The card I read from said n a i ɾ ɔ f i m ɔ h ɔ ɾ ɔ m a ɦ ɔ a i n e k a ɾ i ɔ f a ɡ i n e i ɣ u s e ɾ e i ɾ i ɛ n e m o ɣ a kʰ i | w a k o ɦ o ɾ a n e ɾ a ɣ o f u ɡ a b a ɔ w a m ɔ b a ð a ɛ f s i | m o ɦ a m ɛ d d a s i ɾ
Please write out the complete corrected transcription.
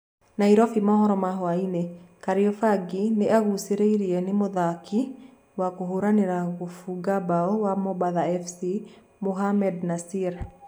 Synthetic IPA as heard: n a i ɾ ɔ f i m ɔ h ɔ ɾ ɔ m a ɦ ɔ a i n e k a ɾ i ɔ f a ɡ i n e a ɣ u s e ɾ e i ɾ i ɛ n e m o ð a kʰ i | w a k o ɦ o ɾ a n e ɾ a ɣ o f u ɡ a b a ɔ w a m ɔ b a ð a ɛ f s i | m o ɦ a m ɛ d n a s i ɾ